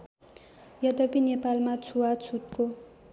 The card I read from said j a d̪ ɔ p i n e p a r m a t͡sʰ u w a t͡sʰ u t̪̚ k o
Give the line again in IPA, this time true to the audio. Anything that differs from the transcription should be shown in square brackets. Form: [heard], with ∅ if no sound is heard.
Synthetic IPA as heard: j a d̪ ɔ p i n e p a [l] m a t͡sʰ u w a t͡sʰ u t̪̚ k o